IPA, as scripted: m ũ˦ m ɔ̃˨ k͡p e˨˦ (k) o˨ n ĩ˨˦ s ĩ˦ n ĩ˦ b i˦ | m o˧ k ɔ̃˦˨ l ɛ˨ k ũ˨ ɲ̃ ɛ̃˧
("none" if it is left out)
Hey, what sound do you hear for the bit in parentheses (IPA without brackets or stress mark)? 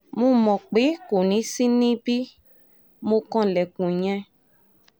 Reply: k